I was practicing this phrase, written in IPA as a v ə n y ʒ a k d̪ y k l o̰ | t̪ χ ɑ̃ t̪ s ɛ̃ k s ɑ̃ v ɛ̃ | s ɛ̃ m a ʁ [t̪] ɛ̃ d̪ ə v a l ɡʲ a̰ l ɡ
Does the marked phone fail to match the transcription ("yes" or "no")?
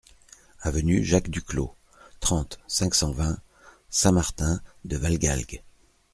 no